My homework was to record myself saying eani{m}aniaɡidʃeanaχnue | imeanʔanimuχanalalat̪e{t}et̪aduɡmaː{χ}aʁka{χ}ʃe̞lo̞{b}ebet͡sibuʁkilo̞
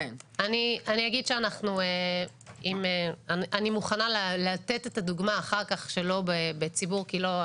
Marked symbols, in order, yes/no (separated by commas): no, yes, yes, yes, yes